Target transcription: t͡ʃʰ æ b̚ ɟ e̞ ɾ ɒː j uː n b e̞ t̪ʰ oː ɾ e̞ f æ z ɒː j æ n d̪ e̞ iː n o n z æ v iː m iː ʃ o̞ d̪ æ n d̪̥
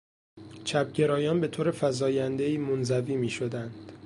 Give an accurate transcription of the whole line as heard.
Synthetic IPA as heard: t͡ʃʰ æ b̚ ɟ e̞ ɾ ɒː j ɒː n b e̞ t̪ʰ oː ɾ e̞ f æ z ɒː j æ n d̪ e̞ iː m o n z æ v iː m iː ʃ o̞ d̪ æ n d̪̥